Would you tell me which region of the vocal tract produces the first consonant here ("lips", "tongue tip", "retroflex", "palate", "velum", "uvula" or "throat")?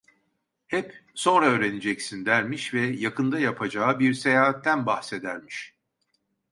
throat